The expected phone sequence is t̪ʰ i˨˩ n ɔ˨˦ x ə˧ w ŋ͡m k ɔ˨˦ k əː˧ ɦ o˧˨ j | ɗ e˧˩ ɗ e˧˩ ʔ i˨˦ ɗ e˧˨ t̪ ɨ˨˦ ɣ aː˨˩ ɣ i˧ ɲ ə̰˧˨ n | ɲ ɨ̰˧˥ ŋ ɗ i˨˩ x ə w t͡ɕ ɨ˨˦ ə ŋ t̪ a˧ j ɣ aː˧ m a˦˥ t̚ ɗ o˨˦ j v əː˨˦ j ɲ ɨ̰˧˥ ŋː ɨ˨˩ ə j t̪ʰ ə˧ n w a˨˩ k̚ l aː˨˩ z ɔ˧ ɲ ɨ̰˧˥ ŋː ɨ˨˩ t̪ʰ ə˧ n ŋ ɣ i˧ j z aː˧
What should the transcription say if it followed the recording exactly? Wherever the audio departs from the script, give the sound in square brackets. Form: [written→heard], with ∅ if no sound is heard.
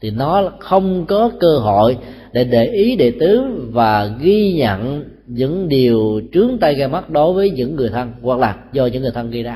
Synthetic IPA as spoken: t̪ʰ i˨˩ n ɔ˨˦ x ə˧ w ŋ͡m k ɔ˨˦ k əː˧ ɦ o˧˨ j | ɗ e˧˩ ɗ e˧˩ ʔ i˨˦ ɗ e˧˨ t̪ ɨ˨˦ [ɣ→v] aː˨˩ ɣ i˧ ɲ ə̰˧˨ n | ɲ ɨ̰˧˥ ŋ ɗ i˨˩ [x→∅] ə w t͡ɕ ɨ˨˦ ə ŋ t̪ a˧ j ɣ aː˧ m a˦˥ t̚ ɗ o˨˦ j v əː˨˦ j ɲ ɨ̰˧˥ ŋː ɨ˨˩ ə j t̪ʰ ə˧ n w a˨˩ k̚ l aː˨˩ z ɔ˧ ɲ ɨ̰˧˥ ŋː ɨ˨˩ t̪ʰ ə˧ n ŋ ɣ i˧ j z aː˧